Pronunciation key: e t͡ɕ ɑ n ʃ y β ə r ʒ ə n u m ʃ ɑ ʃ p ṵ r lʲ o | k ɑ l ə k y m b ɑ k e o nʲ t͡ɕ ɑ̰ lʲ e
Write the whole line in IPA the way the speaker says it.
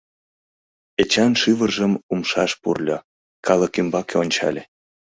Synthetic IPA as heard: e t͡ɕ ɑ n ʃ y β ə r ʒ ə m u m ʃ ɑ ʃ p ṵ r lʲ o | k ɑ l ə k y m b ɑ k e o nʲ t͡ɕ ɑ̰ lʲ e